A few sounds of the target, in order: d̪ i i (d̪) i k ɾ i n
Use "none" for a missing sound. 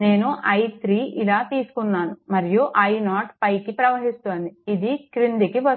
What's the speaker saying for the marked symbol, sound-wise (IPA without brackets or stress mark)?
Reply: d̪